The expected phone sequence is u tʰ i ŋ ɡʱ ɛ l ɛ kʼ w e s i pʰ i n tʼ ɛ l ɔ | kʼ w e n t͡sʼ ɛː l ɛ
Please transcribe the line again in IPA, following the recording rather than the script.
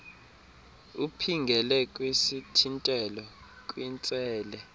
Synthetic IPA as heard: u pʰ i ŋ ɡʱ ɛ l ɛ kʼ w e s i tʰ i n tʼ ɛ l ɔ | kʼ w i n t͡sʼ ɛː l ɛ